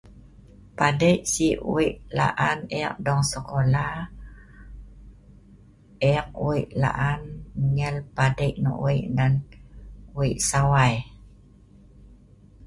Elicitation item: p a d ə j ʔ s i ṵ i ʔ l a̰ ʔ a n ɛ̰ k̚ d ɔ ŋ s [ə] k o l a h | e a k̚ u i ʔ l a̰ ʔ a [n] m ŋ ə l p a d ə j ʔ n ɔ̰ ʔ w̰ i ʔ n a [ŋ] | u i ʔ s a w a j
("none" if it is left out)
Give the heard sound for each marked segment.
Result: ə, n, n

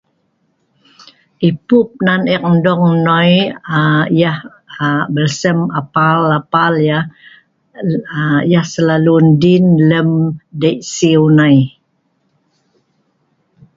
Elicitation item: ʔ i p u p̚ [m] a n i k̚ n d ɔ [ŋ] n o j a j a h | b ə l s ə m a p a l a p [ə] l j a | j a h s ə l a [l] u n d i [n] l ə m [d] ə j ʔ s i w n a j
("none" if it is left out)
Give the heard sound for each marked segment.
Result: n, ŋ, a, l, n, d

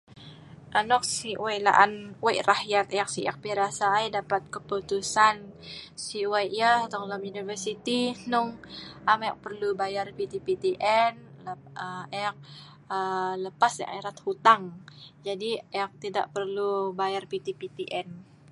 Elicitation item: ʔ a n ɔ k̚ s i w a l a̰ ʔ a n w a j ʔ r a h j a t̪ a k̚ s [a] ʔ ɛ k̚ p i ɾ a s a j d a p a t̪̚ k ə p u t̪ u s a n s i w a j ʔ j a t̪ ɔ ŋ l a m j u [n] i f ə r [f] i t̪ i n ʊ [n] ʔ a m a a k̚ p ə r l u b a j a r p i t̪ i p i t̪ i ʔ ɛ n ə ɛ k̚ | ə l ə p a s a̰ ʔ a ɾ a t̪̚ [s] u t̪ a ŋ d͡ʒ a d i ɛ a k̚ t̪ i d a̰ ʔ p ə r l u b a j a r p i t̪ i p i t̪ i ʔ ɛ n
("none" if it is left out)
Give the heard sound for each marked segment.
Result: i, n, s, ŋ, h

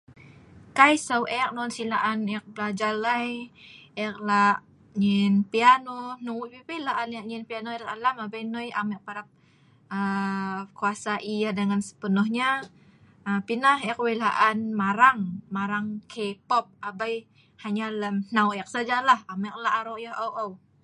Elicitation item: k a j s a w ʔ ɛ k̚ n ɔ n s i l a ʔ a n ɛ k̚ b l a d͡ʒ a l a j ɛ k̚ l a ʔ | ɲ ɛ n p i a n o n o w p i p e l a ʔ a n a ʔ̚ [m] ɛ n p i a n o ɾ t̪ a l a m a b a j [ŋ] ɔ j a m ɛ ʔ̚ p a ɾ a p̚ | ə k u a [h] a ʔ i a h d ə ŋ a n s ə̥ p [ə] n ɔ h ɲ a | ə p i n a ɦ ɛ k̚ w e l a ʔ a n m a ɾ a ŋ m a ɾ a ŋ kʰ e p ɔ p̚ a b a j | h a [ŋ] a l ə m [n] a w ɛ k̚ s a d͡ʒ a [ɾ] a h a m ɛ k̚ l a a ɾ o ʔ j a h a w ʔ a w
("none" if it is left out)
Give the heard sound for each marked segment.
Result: ɲ, n, s, ə, ɲ, n, l

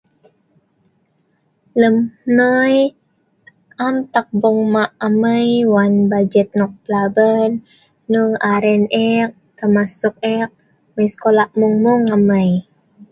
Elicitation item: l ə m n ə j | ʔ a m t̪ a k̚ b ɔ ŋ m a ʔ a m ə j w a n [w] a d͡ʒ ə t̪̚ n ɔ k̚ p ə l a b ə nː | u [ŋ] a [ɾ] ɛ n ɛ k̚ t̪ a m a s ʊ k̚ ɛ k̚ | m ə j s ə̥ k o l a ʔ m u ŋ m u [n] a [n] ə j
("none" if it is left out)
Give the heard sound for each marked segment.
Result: b, ŋ, ɾ, ŋ, m

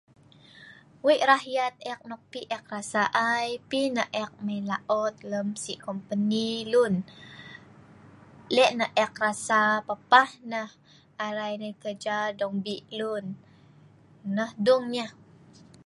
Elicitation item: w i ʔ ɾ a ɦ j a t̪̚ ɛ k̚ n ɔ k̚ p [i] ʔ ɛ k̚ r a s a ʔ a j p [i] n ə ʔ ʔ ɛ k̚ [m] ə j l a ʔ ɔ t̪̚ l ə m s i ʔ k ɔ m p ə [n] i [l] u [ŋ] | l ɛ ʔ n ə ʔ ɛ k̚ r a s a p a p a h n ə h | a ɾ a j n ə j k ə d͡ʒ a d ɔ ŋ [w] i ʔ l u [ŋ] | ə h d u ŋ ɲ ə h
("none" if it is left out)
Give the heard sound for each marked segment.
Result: i, i, m, n, l, n, b, n

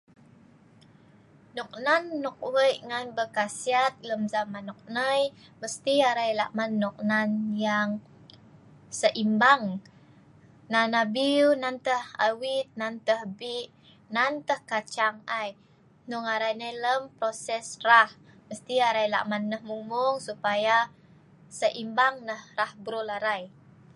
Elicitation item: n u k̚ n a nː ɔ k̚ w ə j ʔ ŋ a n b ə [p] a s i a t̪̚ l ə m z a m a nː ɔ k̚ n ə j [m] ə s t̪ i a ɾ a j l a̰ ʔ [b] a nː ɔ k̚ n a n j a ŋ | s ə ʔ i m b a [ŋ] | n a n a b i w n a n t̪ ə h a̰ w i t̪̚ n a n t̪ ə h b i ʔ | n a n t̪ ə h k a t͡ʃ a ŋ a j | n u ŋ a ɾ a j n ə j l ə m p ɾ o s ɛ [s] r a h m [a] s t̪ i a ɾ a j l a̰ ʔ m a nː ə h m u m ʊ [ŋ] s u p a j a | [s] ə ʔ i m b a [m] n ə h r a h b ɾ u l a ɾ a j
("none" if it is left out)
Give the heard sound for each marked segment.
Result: k, m, m, ŋ, s, ə, ŋ, s, ŋ

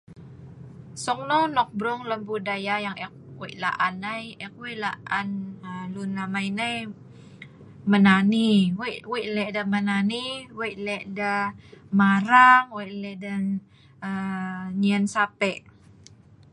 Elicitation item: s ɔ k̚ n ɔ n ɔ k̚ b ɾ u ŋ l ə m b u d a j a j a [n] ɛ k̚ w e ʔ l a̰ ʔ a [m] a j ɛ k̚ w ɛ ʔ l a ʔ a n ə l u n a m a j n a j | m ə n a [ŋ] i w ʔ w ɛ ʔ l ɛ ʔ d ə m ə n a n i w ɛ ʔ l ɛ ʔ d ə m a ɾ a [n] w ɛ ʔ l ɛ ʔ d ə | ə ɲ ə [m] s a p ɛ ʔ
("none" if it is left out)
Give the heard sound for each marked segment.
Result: ŋ, n, n, ŋ, n

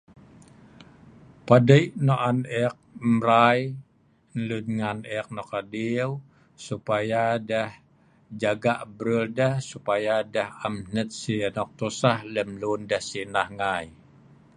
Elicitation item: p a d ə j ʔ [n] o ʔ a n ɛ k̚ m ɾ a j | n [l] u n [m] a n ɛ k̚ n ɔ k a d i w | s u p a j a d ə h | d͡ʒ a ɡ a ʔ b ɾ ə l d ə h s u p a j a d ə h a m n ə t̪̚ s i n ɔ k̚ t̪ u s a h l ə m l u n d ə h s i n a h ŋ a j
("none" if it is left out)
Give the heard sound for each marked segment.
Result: n, l, ŋ

